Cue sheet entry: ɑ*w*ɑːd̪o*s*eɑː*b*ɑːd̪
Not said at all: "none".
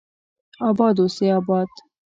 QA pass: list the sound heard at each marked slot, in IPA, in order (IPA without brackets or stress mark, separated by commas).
b, s, b